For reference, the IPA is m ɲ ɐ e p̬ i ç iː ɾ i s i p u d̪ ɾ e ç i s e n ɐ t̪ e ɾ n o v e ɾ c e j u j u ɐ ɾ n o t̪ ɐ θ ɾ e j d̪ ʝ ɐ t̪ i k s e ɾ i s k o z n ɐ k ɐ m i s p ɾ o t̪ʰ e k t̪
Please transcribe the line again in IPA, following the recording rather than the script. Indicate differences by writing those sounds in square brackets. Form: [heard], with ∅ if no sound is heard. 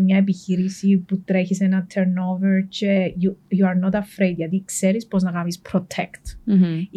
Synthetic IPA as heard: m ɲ ɐ e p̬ i ç [i] ɾ i s i p u [t̪] ɾ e ç i s e n ɐ [t̪ʰ] e ɾ n o v e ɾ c e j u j u ɐ ɾ n o t̪ ɐ [f] ɾ e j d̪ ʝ ɐ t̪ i k s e ɾ i s [p] o z n ɐ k ɐ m i s p ɾ o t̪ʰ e k t̪